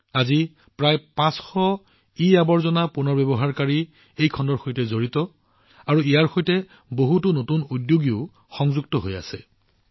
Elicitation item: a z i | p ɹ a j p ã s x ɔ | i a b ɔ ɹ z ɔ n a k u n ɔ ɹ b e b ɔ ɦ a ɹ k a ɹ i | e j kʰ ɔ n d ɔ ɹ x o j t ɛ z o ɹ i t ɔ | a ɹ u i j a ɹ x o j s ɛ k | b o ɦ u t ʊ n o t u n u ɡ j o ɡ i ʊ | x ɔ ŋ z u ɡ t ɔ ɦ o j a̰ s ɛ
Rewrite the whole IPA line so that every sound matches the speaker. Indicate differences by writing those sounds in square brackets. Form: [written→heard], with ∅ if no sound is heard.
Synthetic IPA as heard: a z i | p ɹ a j p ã s x ɔ | i a b ɔ ɹ z ɔ n a [k→p] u n ɔ ɹ b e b ɔ ɦ a ɹ k a ɹ i | e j kʰ ɔ n d ɔ ɹ x o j t ɛ z o ɹ i t ɔ | a ɹ u i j a ɹ x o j [s→t] ɛ [k→∅] | b o ɦ u t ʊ n o t u n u [ɡ→d] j o ɡ i ʊ | x ɔ ŋ z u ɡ t ɔ ɦ o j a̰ s ɛ